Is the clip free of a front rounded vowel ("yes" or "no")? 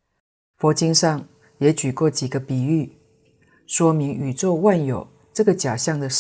no